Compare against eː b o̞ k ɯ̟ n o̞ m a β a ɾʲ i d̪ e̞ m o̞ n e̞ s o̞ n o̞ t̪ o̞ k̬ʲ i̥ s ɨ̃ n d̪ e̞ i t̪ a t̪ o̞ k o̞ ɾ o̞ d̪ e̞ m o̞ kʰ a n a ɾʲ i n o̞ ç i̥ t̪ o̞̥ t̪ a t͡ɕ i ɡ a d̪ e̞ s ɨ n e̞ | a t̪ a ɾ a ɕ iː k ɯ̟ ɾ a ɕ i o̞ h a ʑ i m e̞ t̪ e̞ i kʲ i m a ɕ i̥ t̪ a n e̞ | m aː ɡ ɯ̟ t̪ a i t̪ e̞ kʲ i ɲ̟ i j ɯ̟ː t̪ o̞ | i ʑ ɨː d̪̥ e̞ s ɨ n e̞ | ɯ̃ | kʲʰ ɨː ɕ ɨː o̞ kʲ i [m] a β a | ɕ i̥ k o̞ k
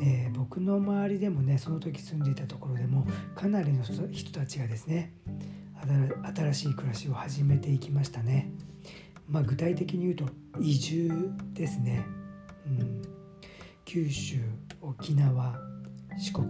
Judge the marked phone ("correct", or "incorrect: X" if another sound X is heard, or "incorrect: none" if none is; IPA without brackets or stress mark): incorrect: n